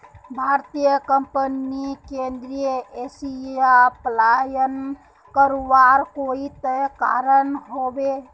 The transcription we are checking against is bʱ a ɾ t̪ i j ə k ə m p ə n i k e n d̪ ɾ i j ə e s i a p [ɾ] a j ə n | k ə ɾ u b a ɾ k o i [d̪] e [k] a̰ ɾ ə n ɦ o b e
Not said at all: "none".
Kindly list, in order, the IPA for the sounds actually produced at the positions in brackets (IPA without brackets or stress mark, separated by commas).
l, t̪, k